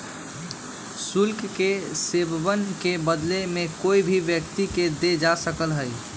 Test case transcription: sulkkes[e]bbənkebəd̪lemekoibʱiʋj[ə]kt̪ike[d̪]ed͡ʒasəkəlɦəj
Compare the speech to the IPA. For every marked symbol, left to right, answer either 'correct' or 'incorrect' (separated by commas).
correct, correct, correct